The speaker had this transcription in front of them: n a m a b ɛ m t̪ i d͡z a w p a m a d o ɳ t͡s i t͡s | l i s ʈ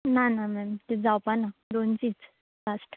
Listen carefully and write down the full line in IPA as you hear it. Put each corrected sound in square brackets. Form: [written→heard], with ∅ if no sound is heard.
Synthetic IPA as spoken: n a [m→n] a [b→m] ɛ m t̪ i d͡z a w p a [m→n] a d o [ɳ→n] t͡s i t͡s | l [i→a] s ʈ